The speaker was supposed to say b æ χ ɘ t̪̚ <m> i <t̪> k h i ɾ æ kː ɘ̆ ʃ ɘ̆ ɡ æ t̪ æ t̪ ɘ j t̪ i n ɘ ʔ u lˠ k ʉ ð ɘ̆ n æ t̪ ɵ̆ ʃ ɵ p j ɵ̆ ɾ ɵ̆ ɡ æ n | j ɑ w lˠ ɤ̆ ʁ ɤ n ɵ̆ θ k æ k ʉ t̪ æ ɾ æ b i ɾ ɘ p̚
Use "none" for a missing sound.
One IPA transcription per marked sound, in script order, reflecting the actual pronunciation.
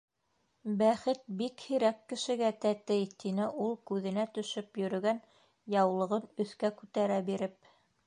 b, none

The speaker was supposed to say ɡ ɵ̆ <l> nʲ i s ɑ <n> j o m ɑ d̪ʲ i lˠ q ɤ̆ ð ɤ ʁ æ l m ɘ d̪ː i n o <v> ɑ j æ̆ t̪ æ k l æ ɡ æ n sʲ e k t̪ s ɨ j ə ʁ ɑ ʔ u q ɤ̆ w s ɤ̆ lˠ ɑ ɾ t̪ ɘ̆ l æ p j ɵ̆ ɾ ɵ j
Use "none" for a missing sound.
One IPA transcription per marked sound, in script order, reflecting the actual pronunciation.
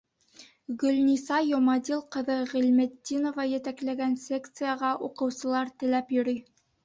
l, none, v

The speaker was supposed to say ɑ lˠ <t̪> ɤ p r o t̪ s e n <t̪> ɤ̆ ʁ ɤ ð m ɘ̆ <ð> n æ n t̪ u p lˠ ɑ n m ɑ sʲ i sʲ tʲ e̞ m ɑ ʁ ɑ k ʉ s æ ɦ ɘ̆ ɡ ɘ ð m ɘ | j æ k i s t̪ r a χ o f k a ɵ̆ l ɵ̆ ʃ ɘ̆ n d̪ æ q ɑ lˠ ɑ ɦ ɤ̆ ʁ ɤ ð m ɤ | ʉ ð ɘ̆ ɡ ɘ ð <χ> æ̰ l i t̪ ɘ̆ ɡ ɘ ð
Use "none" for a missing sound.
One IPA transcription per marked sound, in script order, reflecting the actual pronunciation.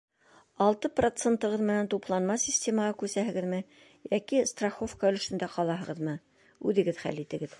t̪, t̪, none, χ

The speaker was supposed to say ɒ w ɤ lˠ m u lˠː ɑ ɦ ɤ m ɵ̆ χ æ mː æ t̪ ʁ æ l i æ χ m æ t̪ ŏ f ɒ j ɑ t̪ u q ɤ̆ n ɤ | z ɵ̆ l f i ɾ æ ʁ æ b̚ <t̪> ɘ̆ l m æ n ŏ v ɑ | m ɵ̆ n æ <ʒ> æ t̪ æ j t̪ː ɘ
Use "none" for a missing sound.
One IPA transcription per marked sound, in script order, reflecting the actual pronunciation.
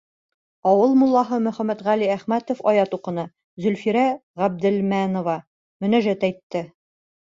d̪, ʒ

